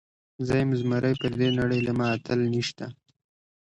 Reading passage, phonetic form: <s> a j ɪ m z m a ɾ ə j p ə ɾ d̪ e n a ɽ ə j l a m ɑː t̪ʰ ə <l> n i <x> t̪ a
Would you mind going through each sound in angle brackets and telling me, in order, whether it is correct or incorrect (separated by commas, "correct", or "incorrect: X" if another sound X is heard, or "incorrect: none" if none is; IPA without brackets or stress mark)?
incorrect: z, correct, incorrect: ʃ